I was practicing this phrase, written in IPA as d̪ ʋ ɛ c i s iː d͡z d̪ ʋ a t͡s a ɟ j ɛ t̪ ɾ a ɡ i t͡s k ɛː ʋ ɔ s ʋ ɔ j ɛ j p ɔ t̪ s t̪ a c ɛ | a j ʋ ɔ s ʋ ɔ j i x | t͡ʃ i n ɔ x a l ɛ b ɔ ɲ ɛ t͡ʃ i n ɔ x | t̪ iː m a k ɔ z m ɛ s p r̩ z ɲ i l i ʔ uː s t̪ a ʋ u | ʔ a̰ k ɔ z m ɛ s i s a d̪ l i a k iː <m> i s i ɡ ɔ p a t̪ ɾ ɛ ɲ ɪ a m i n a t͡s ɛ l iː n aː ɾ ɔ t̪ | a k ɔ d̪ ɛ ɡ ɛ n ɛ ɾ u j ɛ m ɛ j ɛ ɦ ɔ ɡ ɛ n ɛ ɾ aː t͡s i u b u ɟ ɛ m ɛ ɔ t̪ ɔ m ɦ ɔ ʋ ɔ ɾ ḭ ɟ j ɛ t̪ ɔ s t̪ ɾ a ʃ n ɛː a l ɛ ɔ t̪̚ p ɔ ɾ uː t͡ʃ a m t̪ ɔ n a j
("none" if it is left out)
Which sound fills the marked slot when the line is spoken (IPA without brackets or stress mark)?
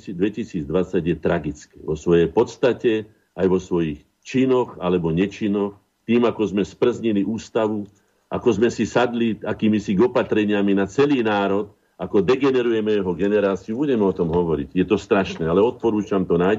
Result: m